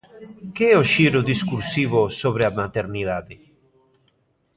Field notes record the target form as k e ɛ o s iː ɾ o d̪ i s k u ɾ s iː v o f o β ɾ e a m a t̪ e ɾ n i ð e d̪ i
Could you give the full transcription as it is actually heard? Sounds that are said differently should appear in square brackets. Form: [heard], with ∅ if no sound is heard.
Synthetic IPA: k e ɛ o [ʃ] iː ɾ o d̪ i s k u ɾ s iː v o [s] o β ɾ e a m a t̪ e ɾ n i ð [a] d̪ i